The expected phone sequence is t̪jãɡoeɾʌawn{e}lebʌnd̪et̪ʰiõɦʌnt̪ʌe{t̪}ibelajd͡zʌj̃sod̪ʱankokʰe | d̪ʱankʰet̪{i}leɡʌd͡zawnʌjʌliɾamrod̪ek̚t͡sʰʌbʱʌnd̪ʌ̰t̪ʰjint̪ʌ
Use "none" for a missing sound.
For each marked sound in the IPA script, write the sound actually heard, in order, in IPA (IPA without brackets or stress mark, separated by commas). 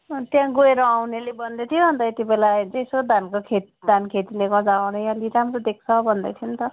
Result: e, t̪, i